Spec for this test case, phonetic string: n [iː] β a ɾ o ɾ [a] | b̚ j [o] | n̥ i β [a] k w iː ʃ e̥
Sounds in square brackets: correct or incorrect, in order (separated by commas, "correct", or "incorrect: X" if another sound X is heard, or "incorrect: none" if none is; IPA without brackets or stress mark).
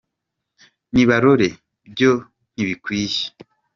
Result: incorrect: i, incorrect: e, correct, incorrect: i